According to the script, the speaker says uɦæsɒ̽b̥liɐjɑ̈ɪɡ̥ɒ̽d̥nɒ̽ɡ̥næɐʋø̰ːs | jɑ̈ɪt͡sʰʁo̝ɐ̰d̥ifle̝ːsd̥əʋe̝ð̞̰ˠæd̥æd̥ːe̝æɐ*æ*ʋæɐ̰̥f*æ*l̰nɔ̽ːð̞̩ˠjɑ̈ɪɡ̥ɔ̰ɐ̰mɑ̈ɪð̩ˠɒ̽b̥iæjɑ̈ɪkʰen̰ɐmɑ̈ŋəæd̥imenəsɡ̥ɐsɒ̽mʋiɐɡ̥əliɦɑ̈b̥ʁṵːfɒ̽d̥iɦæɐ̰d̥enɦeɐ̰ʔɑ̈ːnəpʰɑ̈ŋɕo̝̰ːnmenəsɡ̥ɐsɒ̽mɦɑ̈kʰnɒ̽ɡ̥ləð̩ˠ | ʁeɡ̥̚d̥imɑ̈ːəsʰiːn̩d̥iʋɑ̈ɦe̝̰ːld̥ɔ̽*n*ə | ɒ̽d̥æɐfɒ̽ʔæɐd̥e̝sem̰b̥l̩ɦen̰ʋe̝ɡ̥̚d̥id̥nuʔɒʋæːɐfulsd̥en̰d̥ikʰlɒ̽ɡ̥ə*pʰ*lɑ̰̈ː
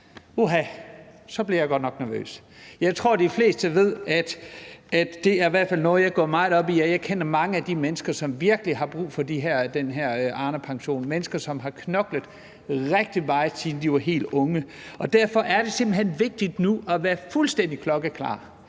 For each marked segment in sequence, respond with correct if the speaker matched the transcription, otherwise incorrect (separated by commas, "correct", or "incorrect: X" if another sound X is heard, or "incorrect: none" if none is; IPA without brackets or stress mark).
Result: incorrect: i, correct, incorrect: ŋ, incorrect: kʰ